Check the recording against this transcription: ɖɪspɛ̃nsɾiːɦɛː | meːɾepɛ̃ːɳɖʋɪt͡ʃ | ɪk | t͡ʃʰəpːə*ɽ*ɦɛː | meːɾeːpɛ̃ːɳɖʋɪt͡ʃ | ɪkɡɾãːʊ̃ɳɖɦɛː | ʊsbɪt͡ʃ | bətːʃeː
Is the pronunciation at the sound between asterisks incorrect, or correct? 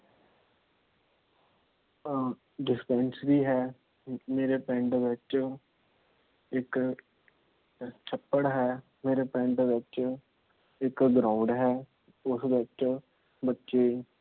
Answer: correct